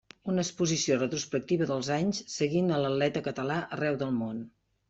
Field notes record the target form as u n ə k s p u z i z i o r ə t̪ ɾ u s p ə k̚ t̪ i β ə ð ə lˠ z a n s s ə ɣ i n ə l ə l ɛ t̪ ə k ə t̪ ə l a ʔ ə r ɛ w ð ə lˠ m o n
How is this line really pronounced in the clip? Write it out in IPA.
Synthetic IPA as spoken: u n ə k s p u z i s i o r ə t̪ ɾ u s p ə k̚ t̪ i β ə ð ə lˠ z a ɲ s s ə ɣ i n ə l ə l ɛ t̪ ə k ə t̪ ə l a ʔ ə r ɛ w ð ə lˠ m o n